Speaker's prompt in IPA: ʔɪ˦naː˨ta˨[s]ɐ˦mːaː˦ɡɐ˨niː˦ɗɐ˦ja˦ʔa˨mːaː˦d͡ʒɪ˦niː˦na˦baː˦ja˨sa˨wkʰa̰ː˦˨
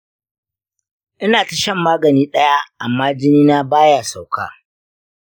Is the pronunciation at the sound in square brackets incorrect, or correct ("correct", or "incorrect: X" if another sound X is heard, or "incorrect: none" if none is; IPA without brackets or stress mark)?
incorrect: ʃ